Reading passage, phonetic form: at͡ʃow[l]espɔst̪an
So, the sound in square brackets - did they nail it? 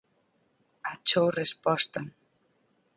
no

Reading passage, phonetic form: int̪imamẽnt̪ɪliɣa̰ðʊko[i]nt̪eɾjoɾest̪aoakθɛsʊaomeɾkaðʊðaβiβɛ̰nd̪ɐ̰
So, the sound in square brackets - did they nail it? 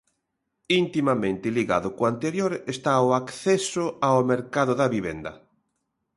no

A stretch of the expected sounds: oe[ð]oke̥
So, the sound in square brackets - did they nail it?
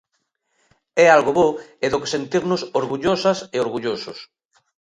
yes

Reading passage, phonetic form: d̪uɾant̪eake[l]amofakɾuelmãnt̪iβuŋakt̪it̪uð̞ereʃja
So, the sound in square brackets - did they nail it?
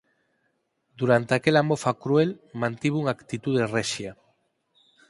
yes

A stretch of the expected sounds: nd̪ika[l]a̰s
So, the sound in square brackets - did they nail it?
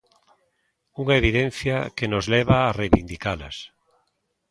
yes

